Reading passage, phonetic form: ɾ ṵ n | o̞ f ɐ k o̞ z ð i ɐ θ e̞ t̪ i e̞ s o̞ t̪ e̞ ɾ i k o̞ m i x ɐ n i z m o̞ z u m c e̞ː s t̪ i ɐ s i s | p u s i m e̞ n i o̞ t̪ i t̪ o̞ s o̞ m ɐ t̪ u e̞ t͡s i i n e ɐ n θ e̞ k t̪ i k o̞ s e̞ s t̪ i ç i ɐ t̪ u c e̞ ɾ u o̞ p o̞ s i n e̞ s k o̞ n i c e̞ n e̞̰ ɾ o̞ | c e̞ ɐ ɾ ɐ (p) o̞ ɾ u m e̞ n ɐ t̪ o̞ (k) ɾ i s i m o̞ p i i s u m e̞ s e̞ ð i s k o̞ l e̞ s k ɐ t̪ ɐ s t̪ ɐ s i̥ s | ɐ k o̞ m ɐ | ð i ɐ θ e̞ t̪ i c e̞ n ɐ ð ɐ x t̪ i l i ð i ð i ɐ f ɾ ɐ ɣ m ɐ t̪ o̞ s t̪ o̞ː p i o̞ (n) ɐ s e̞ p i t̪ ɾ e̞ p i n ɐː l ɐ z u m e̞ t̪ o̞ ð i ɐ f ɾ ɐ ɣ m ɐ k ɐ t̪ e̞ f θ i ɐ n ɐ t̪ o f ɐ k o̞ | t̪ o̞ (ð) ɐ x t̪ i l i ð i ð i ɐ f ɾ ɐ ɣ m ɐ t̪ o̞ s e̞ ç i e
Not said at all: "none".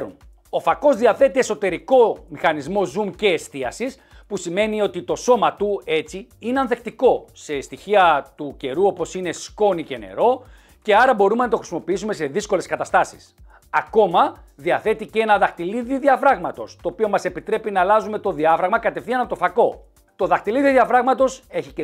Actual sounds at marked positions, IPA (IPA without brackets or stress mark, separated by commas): b, x, m, ð